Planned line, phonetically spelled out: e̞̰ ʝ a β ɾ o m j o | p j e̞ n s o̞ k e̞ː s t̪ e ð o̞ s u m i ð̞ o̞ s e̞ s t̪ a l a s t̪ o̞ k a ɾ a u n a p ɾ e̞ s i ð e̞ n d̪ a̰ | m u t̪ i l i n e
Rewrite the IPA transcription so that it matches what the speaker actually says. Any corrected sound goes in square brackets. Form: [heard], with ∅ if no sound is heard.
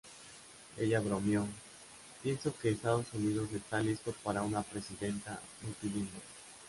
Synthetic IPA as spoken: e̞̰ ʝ a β ɾ o m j o | p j e̞ n s o̞ k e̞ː s t̪ [a] ð o̞ s u [n] i ð̞ o̞ s e̞ s t̪ a l [i] s t̪ o̞ [p] a ɾ a u n a p ɾ e̞ s i ð e̞ n [t̪] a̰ | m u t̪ i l i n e